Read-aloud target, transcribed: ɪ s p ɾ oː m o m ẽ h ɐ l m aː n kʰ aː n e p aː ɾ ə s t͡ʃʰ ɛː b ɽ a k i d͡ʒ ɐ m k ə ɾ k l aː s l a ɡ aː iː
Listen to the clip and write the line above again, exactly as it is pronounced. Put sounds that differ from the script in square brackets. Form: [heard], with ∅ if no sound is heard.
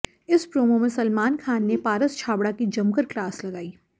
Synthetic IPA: ɪ s p ɾ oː m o m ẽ [s] ɐ l m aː n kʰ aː [nː] e p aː ɾ ə s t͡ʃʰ [aː] b ɽ a k i d͡ʒ ɐ m k ə ɾ k l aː s l [ɐ] ɡ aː iː

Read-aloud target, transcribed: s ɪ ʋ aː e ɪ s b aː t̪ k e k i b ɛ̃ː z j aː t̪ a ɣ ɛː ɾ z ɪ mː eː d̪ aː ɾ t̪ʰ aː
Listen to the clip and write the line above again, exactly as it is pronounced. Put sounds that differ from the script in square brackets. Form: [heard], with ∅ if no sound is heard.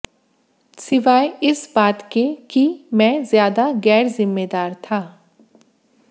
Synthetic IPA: s ɪ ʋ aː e ɪ s b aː t̪ k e k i [m] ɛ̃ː z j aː [d̪] a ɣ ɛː ɾ z ɪ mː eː d̪ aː ɾ t̪ʰ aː

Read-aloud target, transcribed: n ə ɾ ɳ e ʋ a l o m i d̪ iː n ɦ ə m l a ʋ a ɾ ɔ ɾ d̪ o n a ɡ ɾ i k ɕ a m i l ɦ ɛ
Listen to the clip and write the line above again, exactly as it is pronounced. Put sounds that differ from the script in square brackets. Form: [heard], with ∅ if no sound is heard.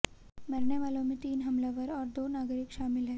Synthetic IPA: [m] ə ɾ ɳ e ʋ a l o m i [t̪] iː n ɦ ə m l a ʋ [ə] ɾ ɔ ɾ d̪ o n a ɡ ɾ i k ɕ a m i l ɦ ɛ

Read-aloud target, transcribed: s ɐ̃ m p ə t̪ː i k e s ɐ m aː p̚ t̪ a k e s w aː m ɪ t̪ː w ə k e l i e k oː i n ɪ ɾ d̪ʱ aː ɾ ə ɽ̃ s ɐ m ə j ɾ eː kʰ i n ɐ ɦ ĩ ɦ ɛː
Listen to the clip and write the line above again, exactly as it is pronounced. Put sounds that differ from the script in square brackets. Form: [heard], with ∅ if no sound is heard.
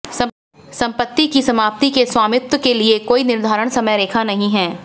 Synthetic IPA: s ɐ̃ m p ə t̪ː i k [i] s ɐ m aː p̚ t̪ [i] k e s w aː m ɪ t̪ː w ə k e l i e k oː i n ɪ ɾ d̪ʱ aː ɾ ə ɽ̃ s ɐ m ə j ɾ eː kʰ [a] n ɐ ɦ ĩ ɦ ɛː

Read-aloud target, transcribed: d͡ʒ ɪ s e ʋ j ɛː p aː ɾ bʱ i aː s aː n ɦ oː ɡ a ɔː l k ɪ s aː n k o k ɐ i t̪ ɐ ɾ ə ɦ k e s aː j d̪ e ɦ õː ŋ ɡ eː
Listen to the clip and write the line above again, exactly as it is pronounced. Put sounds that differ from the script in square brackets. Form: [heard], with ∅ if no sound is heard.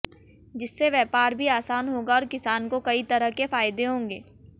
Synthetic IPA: d͡ʒ ɪ [sː] e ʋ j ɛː p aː ɾ bʱ i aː s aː n ɦ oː ɡ a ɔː [ɾ] k ɪ s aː n k o k ɐ i t̪ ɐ ɾ ə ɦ k e [f] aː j d̪ e ɦ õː ŋ ɡ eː

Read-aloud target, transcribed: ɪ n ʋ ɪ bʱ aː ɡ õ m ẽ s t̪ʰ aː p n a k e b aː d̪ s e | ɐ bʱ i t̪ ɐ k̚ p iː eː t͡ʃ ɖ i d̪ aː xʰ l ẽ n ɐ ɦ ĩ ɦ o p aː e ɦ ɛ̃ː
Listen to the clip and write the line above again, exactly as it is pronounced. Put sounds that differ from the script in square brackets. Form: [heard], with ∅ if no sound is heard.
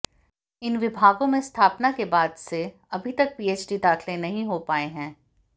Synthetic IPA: ɪ n ʋ ɪ bʱ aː ɡ õ m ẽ s t̪ʰ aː p n a k e b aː d̪ s e | ɐ bʱ i t̪ ɐ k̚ p iː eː t͡ʃ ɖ i d̪ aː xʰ l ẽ n ɐ ɦ ĩ ɦ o p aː e ɦ ɛ̃ː

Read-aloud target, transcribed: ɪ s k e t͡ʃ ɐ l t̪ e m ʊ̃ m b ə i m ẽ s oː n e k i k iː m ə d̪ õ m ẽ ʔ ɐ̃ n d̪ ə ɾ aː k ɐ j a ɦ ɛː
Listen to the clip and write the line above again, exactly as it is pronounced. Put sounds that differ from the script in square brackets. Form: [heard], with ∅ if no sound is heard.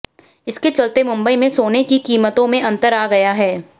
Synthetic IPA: ɪ s k e t͡ʃ ɐ l t̪ e m ʊ̃ m b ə i m ẽ s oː n e k i k iː m ə [t̪] õ m ẽ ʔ ɐ̃ n [t̪] ə ɾ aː [ɡ] ɐ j a ɦ ɛː

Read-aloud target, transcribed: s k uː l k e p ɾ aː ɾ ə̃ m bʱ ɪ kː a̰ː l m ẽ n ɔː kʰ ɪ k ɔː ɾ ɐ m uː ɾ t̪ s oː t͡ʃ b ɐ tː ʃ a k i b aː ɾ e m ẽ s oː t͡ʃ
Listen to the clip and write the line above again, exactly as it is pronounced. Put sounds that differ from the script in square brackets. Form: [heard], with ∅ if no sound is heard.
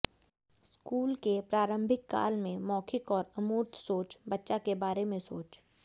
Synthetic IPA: s k uː l k e p ɾ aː ɾ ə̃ m bʱ ɪ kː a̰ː l m ẽ [m] ɔː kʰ ɪ k ɔː ɾ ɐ m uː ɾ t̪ s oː t͡ʃ b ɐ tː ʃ a k [e] b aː ɾ e m ẽ s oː t͡ʃ

